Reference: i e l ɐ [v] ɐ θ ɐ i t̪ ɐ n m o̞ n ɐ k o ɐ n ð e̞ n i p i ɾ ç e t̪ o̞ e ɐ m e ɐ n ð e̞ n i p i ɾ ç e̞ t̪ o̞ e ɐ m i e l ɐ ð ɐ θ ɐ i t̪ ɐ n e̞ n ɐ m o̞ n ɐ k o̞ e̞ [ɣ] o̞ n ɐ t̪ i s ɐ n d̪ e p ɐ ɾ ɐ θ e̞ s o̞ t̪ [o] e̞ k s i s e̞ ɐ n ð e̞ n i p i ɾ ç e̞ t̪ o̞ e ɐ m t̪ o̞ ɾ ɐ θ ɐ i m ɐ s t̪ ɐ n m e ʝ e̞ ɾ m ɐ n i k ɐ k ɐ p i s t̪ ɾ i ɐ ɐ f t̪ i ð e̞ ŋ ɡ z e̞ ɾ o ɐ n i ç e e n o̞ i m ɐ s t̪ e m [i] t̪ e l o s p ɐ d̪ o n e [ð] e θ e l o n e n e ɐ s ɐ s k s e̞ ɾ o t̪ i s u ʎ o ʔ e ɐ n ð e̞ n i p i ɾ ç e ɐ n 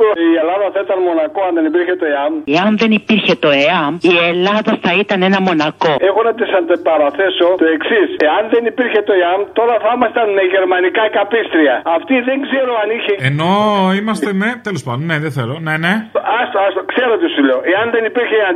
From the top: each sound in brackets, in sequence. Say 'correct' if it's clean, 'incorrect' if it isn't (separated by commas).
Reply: incorrect, incorrect, correct, incorrect, correct